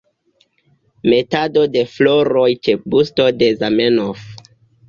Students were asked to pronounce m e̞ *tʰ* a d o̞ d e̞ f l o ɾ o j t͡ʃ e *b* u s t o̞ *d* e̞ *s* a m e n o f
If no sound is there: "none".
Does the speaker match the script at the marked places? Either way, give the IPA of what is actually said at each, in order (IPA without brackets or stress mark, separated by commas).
t, b, d, z